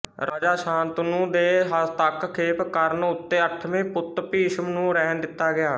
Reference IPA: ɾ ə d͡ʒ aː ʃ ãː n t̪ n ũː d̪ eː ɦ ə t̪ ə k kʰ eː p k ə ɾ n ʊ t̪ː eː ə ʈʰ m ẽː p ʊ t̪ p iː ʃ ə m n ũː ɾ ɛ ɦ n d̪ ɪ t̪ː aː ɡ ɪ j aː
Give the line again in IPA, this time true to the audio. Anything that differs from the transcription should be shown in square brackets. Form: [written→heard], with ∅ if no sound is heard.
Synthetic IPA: ɾ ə d͡ʒ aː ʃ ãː n t̪ n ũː d̪ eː ɦ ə t̪ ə k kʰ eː p k ə ɾ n ʊ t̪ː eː ə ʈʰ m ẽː p ʊ t̪ p iː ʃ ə m n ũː ɾ ɛ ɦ n d̪ ɪ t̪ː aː ɡ ɪ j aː

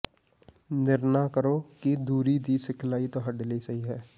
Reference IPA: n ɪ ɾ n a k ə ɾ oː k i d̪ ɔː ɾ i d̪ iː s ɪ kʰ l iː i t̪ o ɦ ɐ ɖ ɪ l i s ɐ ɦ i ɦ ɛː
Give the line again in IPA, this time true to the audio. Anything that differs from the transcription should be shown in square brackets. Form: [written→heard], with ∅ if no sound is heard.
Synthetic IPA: n ɪ ɾ n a k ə ɾ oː k i d̪ [ɔː→uː] ɾ i d̪ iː s ɪ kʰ l [iː→aː] i t̪ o ɦ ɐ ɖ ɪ l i s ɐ ɦ i ɦ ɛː

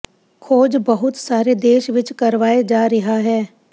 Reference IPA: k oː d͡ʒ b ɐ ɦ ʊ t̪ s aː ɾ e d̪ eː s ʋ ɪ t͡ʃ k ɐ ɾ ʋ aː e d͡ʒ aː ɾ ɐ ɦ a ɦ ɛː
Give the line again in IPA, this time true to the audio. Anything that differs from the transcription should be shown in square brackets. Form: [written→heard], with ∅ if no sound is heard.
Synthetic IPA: [k→kʰ] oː d͡ʒ b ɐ ɦ ʊ t̪ s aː ɾ e d̪ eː [s→ʃ] ʋ ɪ t͡ʃ k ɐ ɾ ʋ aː e d͡ʒ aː ɾ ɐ ɦ a ɦ ɛː

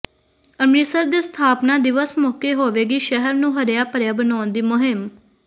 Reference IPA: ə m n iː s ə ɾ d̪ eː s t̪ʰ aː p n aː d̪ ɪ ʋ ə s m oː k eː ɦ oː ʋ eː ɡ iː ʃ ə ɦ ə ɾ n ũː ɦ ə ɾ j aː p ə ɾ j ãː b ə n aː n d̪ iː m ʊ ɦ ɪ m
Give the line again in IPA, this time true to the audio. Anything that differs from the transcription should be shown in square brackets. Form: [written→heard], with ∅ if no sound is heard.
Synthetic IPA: ə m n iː s ə ɾ d̪ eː s t̪ʰ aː p n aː d̪ ɪ ʋ ə s m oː k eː ɦ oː ʋ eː ɡ iː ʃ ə ɦ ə ɾ n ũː ɦ ə ɾ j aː p ə ɾ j [ãː→aː] b ə n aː n d̪ iː m ʊ ɦ ɪ m

